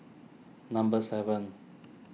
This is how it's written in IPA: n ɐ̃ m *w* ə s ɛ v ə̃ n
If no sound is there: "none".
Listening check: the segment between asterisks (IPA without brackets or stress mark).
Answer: b